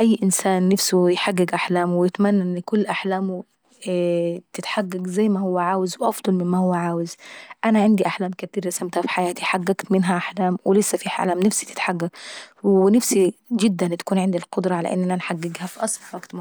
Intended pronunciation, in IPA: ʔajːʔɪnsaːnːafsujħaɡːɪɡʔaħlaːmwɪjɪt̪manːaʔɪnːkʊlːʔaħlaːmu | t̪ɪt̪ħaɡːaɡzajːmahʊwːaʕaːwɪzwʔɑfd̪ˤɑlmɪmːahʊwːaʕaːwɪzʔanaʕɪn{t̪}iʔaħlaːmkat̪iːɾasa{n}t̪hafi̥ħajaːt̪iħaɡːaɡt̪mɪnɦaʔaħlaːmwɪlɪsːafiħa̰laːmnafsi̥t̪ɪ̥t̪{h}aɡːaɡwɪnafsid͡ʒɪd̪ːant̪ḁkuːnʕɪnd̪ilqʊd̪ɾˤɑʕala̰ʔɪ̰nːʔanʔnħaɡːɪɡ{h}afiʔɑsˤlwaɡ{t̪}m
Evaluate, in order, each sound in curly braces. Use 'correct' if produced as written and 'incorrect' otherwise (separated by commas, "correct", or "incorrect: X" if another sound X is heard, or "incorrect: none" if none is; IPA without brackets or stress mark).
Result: incorrect: d̪, incorrect: m, incorrect: ħ, correct, correct